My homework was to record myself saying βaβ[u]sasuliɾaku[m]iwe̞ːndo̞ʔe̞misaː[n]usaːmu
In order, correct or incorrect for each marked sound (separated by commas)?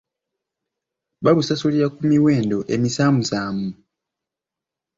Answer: correct, correct, incorrect